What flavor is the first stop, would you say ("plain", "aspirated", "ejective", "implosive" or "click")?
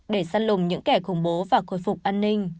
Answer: implosive